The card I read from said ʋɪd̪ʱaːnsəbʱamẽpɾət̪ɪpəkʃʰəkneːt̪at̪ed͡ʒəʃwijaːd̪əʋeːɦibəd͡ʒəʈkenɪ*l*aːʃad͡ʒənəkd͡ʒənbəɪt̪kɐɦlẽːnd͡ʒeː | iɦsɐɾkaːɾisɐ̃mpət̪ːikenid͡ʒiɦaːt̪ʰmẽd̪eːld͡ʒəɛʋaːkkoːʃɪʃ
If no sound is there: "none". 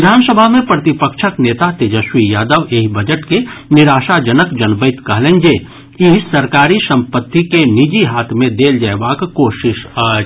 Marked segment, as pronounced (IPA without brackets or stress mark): ɾ